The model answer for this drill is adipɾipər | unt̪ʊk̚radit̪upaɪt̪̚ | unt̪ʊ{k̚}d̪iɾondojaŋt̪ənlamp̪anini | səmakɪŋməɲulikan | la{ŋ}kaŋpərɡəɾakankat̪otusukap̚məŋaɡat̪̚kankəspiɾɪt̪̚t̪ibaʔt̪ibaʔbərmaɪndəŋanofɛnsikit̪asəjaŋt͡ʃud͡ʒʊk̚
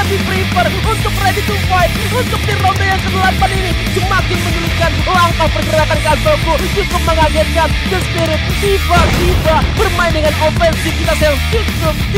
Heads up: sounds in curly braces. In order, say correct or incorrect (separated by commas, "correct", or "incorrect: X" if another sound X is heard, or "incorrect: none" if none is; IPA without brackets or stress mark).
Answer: correct, correct